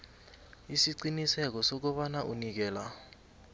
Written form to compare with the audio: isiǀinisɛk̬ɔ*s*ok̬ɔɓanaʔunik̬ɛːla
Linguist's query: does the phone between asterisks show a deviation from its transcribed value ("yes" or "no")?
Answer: no